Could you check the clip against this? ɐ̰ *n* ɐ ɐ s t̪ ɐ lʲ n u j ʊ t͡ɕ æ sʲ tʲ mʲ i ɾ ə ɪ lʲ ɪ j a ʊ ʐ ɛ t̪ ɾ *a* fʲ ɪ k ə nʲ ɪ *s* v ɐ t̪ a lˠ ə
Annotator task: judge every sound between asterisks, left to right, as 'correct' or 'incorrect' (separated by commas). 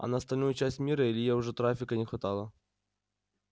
correct, correct, incorrect